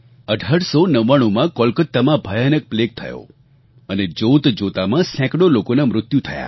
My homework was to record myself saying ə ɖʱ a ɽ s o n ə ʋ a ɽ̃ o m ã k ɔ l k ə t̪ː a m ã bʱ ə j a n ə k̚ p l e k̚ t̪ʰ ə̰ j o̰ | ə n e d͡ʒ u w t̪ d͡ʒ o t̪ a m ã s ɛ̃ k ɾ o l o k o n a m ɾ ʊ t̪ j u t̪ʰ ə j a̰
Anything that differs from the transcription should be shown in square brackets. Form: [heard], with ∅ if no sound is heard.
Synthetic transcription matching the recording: ə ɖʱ a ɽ s o n ə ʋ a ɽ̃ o m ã k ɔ l k ə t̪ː a m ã bʱ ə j a n ə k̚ p l e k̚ t̪ʰ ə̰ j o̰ | ə n e d͡ʒ [o] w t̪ d͡ʒ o t̪ a m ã s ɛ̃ k [ɽ] o l o k o n a m ɾ ʊ t̪ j u t̪ʰ ə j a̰